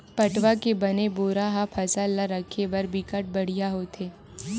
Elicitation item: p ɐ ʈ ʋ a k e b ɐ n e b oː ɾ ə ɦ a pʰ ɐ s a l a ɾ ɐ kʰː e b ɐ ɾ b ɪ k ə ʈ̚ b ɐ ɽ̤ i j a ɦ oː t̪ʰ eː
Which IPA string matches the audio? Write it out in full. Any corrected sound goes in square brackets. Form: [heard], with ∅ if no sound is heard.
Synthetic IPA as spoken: p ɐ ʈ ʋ a k e b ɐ n e b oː ɾ [a] ɦ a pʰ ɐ s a l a ɾ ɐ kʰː e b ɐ ɾ b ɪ k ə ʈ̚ b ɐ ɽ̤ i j a ɦ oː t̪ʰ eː

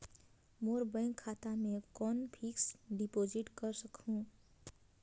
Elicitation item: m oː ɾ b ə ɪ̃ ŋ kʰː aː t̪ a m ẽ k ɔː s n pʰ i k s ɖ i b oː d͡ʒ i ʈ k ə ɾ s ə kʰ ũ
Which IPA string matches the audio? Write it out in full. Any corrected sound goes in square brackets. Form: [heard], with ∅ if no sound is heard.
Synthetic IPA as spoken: m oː ɾ b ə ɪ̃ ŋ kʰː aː t̪ a m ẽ k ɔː [∅] n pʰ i k s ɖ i [p] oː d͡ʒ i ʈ k ə ɾ s ə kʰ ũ

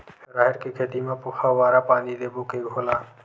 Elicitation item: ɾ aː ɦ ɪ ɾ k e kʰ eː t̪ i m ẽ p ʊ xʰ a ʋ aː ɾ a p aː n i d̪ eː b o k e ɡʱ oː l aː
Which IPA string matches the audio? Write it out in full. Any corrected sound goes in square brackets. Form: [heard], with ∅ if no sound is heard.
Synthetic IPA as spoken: ɾ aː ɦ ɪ ɾ k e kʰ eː t̪ i m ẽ p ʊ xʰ a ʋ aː ɾ a p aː n i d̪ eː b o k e ɡʱ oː l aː

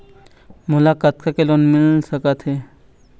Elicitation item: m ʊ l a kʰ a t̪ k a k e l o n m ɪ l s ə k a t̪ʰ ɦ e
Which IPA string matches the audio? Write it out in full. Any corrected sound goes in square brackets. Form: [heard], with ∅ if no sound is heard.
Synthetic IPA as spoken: m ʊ l a [k] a t̪ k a k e l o n m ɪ l s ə k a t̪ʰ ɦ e

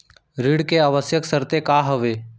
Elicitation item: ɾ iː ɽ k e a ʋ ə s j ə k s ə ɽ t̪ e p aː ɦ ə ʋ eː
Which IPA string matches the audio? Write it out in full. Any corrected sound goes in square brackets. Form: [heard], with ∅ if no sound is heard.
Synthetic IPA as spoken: ɾ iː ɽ k e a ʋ ə s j ə k s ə [ɾ] t̪ e [k] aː ɦ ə ʋ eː

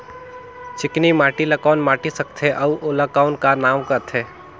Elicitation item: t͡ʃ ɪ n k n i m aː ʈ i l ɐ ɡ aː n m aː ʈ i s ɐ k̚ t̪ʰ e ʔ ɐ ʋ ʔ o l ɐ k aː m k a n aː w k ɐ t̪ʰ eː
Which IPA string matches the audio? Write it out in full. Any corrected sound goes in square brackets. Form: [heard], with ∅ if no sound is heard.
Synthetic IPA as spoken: t͡ʃ ɪ [∅] k n i m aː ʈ i l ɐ [k] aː n m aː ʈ i s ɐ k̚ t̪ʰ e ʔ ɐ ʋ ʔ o l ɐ k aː [n] k a n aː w k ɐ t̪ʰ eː

